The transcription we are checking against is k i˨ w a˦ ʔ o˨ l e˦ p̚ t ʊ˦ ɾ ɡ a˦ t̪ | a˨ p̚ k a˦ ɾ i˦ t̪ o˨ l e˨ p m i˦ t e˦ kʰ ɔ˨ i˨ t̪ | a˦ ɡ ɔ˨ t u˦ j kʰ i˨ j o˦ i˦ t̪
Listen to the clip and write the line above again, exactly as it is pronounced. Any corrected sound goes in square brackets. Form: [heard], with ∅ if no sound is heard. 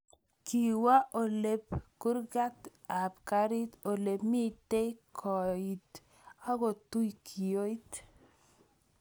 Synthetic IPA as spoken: k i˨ w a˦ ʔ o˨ l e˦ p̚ [k] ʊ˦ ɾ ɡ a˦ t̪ | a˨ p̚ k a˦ ɾ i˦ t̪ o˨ l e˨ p m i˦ t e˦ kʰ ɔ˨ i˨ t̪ | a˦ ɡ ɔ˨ t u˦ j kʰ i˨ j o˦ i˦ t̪